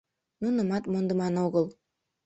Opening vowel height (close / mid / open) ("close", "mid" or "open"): close